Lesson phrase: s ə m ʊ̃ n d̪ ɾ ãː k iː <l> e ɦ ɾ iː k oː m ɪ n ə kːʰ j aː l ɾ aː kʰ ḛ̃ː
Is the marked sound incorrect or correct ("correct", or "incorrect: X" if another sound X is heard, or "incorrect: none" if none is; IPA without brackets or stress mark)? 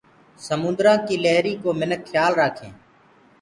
correct